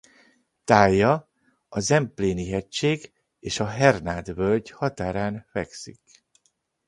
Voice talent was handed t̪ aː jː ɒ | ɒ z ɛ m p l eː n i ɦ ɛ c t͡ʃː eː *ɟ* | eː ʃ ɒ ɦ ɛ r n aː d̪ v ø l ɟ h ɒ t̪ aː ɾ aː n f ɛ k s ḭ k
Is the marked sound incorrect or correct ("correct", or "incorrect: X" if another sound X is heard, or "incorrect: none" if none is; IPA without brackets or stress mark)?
incorrect: ɡ